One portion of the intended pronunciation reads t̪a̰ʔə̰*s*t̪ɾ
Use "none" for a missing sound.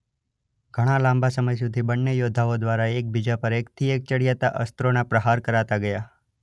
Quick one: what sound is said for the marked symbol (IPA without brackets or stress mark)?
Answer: s